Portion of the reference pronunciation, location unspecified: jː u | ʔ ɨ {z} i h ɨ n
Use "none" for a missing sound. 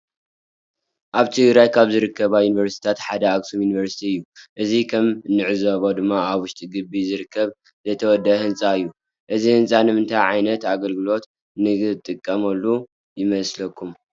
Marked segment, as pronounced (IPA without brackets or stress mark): z